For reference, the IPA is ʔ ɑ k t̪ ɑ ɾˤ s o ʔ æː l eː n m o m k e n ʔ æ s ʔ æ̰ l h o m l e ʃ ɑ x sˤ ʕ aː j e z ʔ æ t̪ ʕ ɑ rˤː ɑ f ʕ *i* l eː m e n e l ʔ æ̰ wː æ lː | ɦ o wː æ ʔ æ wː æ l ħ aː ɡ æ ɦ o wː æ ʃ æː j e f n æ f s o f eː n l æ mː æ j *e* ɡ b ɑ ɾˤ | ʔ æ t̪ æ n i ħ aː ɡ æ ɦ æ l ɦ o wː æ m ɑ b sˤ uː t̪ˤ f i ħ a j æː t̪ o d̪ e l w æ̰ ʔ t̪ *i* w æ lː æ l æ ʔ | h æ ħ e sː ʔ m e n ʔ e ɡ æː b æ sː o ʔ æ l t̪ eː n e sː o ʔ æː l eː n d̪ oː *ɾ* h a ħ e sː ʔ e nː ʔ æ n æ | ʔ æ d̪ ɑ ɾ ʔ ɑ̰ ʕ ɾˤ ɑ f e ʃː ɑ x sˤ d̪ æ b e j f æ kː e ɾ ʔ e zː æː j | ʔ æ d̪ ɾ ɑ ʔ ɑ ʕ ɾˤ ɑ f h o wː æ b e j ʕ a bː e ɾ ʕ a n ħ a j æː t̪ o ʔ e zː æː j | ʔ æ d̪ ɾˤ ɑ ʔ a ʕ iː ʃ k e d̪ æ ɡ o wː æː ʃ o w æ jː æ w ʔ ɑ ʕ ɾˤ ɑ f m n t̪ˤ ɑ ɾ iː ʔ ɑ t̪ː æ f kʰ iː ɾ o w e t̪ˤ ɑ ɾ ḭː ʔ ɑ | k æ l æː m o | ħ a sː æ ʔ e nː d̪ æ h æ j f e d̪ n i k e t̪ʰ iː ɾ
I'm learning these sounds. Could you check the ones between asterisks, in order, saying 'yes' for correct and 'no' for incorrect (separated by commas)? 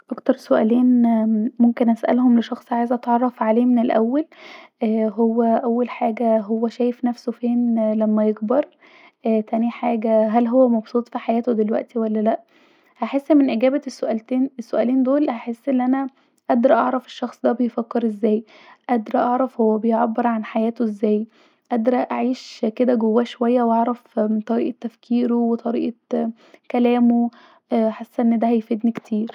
no, yes, yes, no